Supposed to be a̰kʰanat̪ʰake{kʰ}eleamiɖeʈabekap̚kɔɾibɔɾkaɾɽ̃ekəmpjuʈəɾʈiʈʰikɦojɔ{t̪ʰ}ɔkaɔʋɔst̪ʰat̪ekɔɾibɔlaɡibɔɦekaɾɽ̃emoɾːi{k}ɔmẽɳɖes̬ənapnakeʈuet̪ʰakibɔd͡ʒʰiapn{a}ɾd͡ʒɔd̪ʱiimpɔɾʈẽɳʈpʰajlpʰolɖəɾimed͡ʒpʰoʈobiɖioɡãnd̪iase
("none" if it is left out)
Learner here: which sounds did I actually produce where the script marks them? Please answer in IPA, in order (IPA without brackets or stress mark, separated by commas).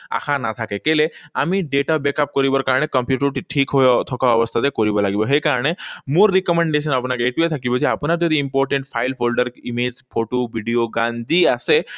k, t̪ʰ, k, a